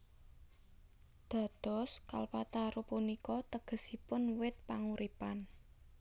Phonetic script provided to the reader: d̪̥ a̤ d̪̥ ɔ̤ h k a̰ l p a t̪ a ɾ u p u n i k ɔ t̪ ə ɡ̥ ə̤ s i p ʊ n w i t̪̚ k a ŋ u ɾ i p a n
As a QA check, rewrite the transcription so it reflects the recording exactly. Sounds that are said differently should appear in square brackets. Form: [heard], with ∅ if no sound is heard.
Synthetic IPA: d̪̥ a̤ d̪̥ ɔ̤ [s] k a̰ l p a t̪ a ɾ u p u n i k ɔ t̪ ə ɡ̥ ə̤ s i p ʊ n w [ɪ] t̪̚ [p] a ŋ u ɾ i p a n